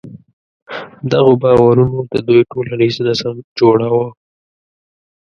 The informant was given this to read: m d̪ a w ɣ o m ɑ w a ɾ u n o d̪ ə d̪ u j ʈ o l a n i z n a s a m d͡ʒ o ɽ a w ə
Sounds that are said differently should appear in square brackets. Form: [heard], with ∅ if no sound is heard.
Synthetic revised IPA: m d̪ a [∅] ɣ o [b] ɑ w a ɾ u n o d̪ ə d̪ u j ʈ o l a n i z n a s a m d͡ʒ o ɽ a w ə